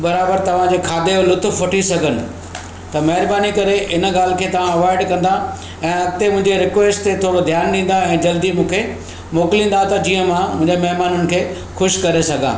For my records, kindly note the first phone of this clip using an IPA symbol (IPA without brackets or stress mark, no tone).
b